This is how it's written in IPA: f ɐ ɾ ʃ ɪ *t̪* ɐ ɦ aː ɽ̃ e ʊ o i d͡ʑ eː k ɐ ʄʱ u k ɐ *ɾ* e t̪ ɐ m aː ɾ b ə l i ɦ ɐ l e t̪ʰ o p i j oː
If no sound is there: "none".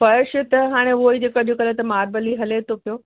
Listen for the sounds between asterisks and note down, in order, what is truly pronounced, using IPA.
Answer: t̪, l

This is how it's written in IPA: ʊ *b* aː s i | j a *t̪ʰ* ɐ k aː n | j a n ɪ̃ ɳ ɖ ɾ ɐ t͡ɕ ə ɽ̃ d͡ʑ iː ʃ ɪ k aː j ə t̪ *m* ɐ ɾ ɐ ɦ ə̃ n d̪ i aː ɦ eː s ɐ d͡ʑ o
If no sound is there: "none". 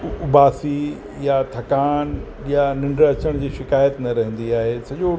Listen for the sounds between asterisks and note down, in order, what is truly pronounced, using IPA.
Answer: b, t̪ʰ, n

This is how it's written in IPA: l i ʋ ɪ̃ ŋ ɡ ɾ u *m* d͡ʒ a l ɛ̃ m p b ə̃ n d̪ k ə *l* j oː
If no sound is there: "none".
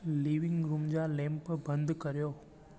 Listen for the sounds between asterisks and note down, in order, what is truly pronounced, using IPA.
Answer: m, ɾ

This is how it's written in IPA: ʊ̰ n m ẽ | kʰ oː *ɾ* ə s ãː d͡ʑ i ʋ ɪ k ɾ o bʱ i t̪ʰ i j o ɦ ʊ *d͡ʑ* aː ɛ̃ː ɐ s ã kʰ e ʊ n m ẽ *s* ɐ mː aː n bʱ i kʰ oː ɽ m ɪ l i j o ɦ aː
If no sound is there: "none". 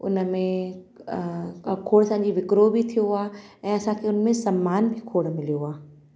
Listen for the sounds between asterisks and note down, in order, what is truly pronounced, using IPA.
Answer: ɽ, none, s

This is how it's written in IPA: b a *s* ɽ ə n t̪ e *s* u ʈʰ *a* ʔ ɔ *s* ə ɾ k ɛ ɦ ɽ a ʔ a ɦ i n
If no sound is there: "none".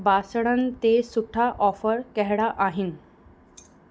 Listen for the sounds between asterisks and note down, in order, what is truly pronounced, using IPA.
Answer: s, s, a, f

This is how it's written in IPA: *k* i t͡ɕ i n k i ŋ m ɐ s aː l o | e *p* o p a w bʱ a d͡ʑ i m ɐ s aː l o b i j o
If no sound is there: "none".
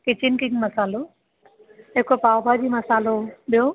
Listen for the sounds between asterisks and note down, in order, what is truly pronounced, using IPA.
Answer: k, k

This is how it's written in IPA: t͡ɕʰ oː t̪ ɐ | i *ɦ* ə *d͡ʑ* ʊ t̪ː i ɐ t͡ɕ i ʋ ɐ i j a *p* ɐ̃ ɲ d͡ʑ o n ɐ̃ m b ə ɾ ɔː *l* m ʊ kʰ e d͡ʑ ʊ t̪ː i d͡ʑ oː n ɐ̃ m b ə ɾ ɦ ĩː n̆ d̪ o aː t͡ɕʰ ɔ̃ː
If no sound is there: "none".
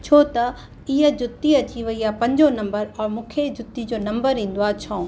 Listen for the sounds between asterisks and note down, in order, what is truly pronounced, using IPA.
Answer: ɦ, d͡ʑ, p, ɾ

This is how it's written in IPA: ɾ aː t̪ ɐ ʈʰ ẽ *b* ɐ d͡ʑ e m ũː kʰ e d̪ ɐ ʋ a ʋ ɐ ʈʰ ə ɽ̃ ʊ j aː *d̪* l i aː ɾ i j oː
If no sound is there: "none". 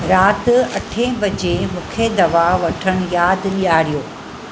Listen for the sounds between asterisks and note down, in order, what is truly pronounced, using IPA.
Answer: b, d̪

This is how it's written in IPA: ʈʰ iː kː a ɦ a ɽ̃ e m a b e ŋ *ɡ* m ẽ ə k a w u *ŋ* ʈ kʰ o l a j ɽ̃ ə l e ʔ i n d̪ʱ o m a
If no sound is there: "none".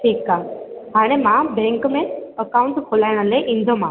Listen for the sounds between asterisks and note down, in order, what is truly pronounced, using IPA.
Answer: k, ɳ

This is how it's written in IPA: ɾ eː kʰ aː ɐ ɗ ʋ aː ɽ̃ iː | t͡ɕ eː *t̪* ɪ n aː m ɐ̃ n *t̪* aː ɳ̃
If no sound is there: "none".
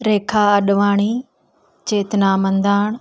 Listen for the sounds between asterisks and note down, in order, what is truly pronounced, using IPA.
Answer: t̪, d̪

